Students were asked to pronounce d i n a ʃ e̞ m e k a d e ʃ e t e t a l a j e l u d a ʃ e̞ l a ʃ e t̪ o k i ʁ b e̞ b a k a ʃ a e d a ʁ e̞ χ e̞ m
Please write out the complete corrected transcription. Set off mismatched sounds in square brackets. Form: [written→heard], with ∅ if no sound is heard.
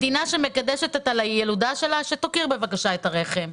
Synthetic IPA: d i n a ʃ e̞ m e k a d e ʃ e t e t a l a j e l u d a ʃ e̞ l a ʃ e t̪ o k i ʁ b e̞ [b→v] a k a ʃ a e [d→t] a ʁ e̞ χ e̞ m

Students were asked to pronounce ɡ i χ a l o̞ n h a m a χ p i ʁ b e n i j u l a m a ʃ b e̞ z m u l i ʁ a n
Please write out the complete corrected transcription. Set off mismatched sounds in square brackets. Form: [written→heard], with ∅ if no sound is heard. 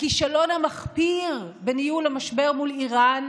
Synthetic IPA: [ɡ→k] i [χ→ʃ] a l o̞ n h a m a χ p i ʁ b e n i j u l a m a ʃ b e̞ [z→ʁ] m u l i ʁ a n

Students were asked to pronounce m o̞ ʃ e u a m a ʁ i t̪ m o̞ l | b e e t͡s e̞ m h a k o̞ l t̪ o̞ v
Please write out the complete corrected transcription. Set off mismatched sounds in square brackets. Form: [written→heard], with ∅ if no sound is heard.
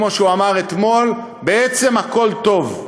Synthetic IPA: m o̞ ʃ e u a m a ʁ [i→e] t̪ m o̞ l | b e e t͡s e̞ m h a k o̞ l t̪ o̞ v

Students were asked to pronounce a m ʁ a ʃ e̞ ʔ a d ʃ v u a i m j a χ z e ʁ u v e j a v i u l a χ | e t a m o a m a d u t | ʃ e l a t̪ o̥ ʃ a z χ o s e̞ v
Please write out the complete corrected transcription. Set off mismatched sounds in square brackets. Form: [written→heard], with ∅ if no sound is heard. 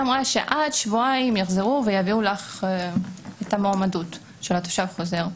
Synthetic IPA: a m ʁ a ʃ e̞ ʔ a d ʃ v u a i m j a χ z e ʁ u v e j a v i u l a χ | e t a m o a m a d u t | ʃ e l a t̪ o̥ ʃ a [z→v] χ o [s→z] e̞ [v→ʁ]

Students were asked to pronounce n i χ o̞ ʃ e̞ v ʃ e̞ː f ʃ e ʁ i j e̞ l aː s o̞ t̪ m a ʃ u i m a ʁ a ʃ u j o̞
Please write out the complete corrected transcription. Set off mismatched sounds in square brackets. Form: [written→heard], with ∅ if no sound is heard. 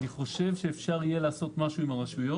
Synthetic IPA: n i χ o̞ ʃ e̞ v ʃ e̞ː f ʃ [e→a] ʁ i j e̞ l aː s o̞ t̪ m a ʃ u i m a ʁ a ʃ u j o̞

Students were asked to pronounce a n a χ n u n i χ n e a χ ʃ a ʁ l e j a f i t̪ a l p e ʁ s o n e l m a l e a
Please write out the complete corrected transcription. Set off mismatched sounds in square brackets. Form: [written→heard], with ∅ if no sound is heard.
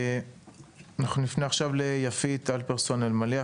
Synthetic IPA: a n a χ n u n i [χ→f] n e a χ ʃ a [ʁ→v] l e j a f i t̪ a l p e ʁ s o n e l m a l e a

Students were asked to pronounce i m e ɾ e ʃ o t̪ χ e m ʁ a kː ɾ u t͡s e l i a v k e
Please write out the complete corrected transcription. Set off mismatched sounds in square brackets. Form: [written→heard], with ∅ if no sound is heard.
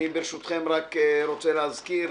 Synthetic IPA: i [m→b] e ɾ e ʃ [o→u] t̪ χ e m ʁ a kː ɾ [u→o] t͡s e l [i→e] a [v→z] k [e→i]

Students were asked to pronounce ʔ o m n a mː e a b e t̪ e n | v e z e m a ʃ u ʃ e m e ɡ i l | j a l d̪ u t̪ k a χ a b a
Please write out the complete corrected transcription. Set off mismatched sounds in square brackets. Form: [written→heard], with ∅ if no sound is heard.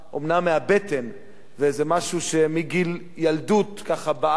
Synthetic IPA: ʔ o m n a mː e a b e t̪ e n | v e z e m a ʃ u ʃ e m [e→i] ɡ i l | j a l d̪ u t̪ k a χ a b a

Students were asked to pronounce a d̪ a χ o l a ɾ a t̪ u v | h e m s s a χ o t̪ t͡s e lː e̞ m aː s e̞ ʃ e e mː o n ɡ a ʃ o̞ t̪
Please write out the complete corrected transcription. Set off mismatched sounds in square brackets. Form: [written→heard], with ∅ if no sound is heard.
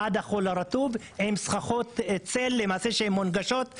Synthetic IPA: a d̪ a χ o l a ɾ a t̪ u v | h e m s [s→χ] a χ o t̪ t͡s e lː e̞ m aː s e̞ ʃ e e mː o n ɡ a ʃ o̞ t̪

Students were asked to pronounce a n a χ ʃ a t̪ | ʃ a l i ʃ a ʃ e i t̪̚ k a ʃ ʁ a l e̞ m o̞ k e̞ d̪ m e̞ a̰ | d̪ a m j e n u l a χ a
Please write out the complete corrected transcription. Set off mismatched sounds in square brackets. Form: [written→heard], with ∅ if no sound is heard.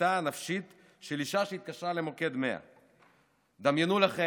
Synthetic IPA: a n a [χ→f] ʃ [a→i] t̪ | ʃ [a→e] l i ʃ a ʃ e i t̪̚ k a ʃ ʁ a l e̞ m o̞ k e̞ d̪ m e̞ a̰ | d̪ a m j e n u l a χ [a→e]

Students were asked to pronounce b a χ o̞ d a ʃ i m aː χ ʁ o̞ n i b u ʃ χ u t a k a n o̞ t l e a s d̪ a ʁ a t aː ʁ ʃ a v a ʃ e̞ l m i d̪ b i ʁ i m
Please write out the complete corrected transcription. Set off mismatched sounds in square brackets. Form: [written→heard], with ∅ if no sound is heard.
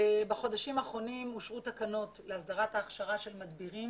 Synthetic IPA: b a χ o̞ d a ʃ i m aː χ ʁ o̞ n i [b→m] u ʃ [χ→ʁ] u t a k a n o̞ t l e a s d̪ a ʁ a t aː [ʁ→χ] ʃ a [v→ʁ] a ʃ e̞ l m [i→a] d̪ b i ʁ i m

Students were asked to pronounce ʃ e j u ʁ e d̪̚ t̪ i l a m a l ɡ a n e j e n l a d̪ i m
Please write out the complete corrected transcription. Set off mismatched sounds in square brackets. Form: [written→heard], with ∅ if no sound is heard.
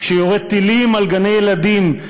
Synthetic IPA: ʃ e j [u→o] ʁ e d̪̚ t̪ i l [a→i] m a l ɡ a n e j e [n→∅] l a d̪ i m

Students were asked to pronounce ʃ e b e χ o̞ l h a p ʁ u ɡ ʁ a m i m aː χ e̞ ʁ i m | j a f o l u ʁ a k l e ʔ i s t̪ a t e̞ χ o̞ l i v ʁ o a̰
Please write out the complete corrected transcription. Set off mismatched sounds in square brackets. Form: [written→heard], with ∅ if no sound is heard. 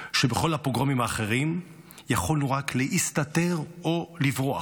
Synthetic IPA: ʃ e b e χ o̞ l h a p ʁ [u→o] ɡ ʁ a m i m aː χ e̞ ʁ i m | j a [f→χ] o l u ʁ a k l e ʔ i s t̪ a t e̞ [χ→ʁ] o̞ l i v ʁ o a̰

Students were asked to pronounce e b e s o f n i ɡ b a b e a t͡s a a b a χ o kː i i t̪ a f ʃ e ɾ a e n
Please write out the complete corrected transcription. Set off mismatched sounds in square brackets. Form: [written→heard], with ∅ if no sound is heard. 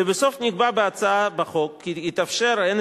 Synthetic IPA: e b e s o f n i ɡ b a b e a t͡s a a b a χ o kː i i t̪ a f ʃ e ɾ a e n

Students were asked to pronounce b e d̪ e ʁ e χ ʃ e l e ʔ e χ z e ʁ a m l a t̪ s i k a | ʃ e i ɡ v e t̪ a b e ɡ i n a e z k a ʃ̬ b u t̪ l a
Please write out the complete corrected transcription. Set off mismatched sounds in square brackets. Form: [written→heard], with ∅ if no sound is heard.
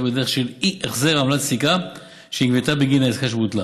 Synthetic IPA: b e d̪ e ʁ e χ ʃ e l [e→i] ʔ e χ z e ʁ a m l a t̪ s i k a | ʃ e i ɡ v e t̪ a b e ɡ i n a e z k a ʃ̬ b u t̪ l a

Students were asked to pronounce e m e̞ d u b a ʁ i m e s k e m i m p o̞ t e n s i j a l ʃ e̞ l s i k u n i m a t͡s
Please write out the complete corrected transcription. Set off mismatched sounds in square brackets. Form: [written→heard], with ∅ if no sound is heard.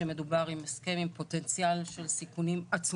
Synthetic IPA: e m e̞ d u b a ʁ i m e s k e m i m p o̞ t e n [s→t͡s] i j a l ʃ e̞ l s i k u n i m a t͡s

